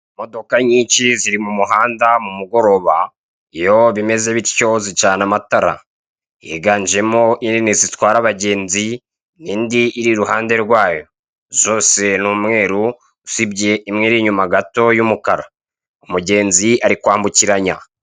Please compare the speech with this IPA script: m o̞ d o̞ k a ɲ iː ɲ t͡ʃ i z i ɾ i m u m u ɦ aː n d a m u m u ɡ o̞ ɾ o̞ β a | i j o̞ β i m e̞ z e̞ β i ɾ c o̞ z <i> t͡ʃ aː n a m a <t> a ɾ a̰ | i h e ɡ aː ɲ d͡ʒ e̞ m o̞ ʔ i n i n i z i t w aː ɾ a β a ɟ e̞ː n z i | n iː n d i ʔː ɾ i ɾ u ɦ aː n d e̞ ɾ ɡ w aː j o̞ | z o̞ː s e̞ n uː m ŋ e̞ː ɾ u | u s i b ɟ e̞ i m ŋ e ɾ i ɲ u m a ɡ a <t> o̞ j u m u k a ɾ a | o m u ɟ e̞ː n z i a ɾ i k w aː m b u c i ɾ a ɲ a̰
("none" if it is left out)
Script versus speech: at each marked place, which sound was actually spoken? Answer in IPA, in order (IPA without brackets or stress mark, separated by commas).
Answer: i, t, t